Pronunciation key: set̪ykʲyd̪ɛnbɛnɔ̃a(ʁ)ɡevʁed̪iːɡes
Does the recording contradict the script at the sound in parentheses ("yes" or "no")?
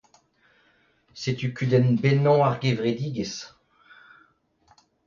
no